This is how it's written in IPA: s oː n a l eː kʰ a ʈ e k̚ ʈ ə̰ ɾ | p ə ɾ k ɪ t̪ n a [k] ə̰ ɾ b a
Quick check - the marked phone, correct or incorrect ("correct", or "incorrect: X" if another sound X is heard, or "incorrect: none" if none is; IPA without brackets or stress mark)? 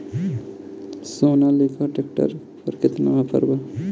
incorrect: p